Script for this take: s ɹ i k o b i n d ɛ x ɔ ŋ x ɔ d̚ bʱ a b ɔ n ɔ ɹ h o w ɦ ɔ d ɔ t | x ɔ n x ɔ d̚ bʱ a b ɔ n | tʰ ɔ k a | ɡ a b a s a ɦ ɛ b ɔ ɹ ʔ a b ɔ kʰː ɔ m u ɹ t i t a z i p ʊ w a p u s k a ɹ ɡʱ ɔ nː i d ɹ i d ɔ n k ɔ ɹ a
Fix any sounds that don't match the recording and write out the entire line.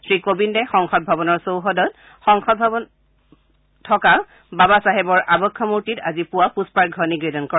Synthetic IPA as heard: s ɹ i k o b i n d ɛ x ɔ ŋ x ɔ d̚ bʱ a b ɔ n ɔ ɹ s o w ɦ ɔ d ɔ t | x ɔ ŋ x ɔ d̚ bʱ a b ɔ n | tʰ ɔ k a | b a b a s a ɦ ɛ b ɔ ɹ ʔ a b ɔ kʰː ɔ m u ɹ t i t a z i p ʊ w a p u s p a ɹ ɡʱ ɔ n i ɡ ɹ i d ɔ n k ɔ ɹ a